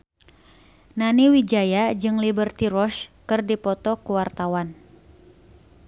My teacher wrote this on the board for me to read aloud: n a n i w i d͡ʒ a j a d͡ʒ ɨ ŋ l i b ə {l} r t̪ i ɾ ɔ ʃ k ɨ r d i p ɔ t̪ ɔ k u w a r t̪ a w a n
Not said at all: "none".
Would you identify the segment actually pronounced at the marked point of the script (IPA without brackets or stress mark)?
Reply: none